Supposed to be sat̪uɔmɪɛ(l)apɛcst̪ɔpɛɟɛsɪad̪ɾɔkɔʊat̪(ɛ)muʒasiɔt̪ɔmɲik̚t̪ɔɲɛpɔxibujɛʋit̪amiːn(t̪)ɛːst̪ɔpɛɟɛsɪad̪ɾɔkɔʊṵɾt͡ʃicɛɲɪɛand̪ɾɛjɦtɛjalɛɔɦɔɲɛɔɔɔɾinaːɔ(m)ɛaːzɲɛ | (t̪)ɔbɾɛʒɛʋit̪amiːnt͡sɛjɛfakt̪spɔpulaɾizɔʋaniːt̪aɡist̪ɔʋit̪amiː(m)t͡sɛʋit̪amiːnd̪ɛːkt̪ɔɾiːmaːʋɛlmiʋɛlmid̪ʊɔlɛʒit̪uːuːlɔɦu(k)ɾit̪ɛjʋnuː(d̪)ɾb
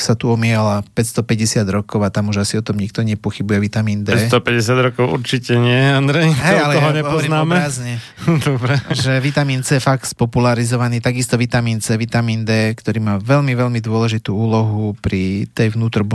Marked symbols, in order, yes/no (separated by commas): yes, no, no, yes, no, no, no, no